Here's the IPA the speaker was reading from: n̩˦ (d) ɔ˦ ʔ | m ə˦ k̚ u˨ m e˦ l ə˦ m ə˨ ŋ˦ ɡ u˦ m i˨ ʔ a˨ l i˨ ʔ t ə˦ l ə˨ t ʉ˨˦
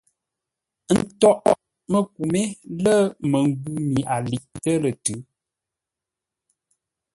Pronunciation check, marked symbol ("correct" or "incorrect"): incorrect